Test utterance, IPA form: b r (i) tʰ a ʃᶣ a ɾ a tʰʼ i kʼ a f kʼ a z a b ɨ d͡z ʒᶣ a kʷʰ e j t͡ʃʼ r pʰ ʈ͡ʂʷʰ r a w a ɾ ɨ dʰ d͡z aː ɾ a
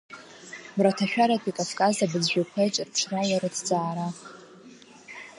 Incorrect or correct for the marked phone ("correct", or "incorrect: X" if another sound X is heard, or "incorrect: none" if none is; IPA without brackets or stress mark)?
incorrect: a